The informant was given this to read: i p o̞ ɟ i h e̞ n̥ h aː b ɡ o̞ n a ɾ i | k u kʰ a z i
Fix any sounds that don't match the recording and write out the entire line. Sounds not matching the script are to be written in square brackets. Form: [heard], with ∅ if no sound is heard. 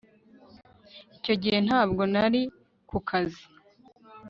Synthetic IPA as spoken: i [c] o̞ ɟ i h e̞ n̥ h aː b ɡ o̞ n a ɾ i | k u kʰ a z i